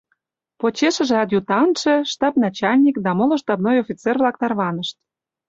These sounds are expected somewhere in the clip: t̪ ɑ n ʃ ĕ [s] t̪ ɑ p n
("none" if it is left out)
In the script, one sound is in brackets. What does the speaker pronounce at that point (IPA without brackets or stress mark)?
ʃ